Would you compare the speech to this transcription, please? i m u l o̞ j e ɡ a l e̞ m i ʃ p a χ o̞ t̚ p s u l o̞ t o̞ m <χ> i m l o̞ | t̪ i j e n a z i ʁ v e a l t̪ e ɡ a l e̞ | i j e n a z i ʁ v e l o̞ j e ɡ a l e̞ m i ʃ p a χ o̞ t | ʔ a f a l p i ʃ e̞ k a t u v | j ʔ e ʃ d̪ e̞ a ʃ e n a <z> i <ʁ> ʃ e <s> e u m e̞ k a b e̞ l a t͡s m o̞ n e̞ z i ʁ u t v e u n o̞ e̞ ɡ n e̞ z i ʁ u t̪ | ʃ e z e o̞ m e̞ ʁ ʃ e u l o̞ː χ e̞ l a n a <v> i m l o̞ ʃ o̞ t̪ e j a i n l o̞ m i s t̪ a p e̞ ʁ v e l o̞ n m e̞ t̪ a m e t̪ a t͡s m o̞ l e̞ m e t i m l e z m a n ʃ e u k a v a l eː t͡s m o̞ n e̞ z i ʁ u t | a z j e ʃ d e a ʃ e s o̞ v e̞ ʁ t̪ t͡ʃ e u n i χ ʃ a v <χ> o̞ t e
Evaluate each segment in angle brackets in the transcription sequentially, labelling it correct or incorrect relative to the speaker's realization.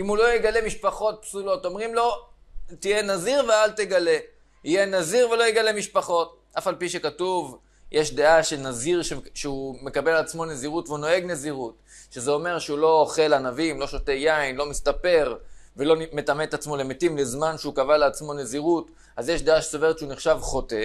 incorrect: ʁ, correct, correct, incorrect: ʃ, correct, correct

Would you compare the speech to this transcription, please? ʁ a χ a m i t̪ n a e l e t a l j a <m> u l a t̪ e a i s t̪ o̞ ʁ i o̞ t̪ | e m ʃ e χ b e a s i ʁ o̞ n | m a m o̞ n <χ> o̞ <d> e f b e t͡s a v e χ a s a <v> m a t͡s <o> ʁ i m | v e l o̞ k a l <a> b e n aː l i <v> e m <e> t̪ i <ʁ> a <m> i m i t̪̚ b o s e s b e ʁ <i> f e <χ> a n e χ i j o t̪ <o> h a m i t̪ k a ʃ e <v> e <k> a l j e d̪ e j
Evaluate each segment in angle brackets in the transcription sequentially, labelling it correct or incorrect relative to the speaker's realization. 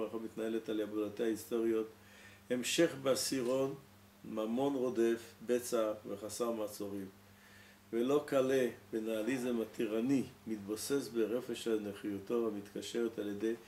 incorrect: b, incorrect: ʁ, correct, incorrect: ʁ, correct, incorrect: e, incorrect: z, incorrect: a, correct, incorrect: n, incorrect: e, incorrect: ʃ, correct, incorrect: ʁ, incorrect: t

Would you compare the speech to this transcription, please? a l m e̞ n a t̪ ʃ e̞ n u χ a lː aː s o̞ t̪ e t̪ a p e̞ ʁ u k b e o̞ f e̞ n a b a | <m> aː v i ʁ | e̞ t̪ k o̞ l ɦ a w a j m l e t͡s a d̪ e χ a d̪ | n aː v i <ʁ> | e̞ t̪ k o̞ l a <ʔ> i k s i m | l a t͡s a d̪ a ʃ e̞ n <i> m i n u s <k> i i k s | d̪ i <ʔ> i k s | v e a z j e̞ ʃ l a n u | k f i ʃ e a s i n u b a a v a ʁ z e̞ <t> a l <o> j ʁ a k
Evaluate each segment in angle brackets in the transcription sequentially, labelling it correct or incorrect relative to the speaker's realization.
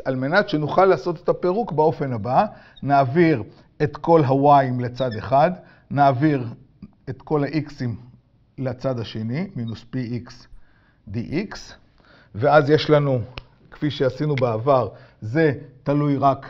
incorrect: n, correct, correct, correct, incorrect: p, correct, correct, incorrect: u

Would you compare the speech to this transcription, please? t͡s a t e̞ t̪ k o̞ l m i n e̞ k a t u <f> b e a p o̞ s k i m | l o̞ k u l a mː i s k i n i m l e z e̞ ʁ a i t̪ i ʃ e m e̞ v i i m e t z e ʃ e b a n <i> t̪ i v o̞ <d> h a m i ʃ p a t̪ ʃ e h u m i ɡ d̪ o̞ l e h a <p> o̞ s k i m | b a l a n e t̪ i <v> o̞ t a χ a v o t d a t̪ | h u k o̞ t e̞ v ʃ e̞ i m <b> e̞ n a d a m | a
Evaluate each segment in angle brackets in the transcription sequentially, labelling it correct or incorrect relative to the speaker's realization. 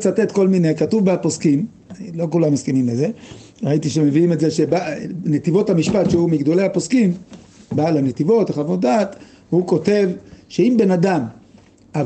incorrect: v, incorrect: e, incorrect: t, correct, correct, correct

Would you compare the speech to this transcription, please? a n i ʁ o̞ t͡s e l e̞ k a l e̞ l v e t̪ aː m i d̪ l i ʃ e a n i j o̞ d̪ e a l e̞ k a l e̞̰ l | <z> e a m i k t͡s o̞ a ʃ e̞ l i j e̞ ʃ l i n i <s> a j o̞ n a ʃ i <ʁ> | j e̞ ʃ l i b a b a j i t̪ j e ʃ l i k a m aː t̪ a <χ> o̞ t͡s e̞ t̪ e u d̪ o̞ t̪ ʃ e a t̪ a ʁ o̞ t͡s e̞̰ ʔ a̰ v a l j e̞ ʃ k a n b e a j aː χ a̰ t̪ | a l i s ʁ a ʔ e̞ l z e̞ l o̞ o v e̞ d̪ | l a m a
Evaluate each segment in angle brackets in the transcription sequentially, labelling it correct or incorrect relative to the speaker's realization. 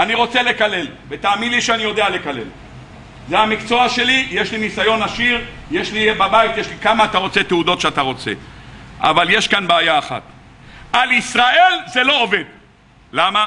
correct, correct, correct, incorrect: ʁ

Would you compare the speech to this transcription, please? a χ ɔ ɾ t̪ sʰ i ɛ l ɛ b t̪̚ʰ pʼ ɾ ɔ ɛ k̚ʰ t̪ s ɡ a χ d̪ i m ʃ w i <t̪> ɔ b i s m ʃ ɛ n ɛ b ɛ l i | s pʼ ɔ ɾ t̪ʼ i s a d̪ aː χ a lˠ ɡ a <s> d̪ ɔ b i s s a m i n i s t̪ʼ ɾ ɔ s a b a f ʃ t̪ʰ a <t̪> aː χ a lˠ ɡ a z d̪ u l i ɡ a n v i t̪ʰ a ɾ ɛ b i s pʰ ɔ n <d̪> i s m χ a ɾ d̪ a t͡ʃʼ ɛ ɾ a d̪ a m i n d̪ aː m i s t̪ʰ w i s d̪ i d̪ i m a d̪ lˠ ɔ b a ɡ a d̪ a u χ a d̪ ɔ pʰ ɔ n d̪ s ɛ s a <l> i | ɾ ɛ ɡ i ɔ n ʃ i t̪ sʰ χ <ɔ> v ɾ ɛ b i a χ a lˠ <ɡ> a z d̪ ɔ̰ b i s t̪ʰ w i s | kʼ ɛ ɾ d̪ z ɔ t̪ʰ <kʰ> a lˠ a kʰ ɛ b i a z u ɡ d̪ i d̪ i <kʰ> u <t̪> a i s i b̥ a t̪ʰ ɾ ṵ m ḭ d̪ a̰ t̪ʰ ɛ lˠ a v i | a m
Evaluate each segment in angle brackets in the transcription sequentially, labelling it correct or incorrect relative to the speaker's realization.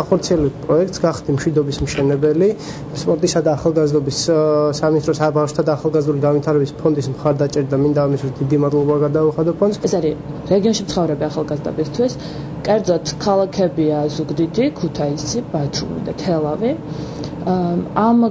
incorrect: d̪, incorrect: z, incorrect: d̪, correct, incorrect: ɾ, correct, correct, correct, correct, incorrect: t̪ʰ

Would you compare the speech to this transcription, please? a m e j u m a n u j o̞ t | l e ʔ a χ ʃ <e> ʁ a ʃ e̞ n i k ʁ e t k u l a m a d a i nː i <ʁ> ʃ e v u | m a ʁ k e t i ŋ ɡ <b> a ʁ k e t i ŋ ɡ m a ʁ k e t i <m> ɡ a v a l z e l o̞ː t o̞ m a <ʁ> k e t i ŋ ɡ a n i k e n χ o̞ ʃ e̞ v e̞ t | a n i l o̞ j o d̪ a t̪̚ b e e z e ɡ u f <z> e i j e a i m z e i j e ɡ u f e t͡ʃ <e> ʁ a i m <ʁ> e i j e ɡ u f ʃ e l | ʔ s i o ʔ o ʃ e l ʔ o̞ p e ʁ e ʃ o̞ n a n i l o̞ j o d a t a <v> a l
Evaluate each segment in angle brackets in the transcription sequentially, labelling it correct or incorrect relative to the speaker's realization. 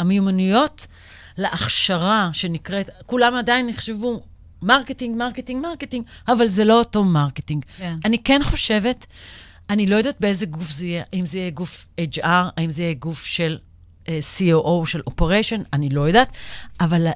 incorrect: a, incorrect: χ, incorrect: m, incorrect: ŋ, correct, correct, incorrect: a, incorrect: z, correct

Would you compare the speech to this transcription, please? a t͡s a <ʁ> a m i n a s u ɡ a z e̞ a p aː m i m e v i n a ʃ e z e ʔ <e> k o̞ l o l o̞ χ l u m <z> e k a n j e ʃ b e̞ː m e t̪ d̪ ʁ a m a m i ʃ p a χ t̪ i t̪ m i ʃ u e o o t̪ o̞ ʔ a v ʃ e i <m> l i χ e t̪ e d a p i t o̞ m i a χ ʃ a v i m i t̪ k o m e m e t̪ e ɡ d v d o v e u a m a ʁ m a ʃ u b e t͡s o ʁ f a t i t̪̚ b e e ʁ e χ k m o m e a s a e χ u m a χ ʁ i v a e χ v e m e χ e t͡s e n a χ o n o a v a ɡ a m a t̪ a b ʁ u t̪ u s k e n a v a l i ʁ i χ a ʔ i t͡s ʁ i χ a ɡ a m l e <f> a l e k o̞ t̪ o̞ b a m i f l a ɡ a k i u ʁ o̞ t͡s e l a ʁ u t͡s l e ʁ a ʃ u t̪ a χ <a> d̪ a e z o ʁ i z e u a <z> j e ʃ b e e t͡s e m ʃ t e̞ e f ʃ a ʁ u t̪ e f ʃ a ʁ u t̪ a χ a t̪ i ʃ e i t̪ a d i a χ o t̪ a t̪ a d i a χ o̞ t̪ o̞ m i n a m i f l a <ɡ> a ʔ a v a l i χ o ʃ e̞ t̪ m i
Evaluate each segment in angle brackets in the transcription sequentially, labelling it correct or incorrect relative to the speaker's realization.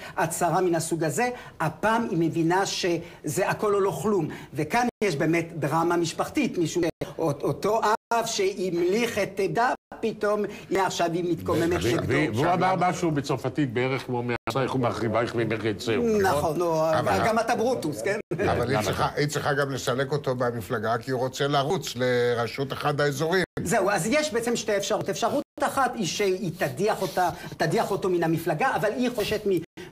correct, incorrect: a, incorrect: v, correct, incorrect: s, correct, correct, correct

